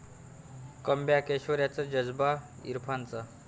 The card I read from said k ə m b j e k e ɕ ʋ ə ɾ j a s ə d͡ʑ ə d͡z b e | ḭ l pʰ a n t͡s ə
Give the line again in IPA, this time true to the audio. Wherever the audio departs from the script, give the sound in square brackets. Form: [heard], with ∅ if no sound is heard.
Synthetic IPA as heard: k ə m b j [a] k e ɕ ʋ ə ɾ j a [t͡s] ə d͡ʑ ə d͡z b [a] | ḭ [ɾ] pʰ a n t͡s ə